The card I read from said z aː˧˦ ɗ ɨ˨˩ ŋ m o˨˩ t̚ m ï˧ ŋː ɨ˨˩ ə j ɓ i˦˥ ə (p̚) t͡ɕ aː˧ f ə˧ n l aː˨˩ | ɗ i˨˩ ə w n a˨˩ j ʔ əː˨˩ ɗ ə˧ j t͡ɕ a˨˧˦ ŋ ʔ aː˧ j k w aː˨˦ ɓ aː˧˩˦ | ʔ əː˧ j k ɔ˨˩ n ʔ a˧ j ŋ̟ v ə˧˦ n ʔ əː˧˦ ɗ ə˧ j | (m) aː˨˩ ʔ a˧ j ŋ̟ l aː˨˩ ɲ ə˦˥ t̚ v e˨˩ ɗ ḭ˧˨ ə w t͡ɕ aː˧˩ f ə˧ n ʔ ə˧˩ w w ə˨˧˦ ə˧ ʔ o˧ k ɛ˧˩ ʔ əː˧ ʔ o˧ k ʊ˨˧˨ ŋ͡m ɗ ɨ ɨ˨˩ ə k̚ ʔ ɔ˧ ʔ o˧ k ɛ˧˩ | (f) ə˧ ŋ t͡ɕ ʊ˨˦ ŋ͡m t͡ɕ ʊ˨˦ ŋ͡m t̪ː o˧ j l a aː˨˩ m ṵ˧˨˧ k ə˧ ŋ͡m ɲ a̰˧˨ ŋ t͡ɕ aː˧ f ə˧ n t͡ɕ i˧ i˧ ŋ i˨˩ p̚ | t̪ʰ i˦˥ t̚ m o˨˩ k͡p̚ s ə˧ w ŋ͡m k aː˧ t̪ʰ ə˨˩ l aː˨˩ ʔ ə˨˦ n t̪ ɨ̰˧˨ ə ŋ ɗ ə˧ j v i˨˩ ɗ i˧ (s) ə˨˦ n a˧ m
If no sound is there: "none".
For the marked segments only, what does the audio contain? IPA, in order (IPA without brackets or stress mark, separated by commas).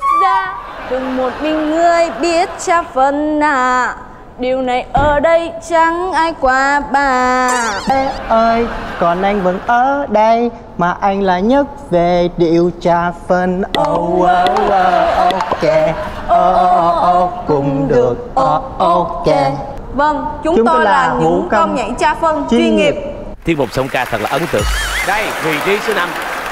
t̚, m, v, s